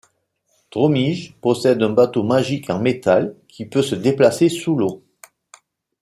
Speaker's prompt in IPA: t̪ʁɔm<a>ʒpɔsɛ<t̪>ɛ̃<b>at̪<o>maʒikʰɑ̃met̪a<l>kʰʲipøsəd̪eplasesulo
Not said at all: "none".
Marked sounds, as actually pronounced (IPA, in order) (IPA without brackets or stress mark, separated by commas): i, d̪, b, o, l